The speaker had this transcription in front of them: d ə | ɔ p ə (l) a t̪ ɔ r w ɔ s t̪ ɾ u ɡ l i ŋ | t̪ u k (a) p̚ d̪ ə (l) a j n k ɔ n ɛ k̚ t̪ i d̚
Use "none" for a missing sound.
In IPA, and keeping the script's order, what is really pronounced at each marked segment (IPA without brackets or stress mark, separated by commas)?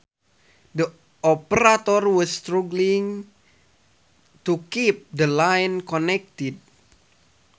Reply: ɾ, i, l